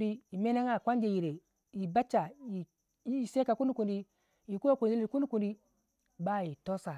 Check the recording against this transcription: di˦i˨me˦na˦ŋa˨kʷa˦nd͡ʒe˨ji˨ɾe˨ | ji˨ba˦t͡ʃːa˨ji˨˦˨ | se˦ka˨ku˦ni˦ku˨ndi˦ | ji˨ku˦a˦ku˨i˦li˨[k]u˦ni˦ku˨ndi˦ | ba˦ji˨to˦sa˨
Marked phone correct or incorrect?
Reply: correct